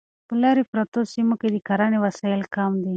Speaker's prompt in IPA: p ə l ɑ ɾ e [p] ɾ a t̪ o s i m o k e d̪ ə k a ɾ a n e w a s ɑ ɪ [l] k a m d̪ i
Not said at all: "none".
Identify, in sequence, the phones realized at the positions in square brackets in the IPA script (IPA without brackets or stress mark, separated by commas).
p, l